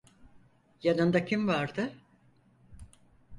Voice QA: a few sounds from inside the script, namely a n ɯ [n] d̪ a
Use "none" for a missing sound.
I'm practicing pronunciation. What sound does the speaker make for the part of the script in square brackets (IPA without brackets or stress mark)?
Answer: n